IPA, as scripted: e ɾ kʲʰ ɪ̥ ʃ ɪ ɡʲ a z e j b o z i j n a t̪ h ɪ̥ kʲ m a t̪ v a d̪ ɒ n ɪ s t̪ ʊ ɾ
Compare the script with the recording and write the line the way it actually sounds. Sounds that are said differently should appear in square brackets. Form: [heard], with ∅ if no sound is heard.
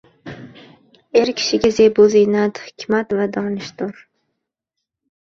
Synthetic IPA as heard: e ɾ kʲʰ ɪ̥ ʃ ɪ ɡʲ a z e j b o z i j n a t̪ h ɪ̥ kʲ m a t̪ v a d̪ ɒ n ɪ [ʃ] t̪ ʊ ɾ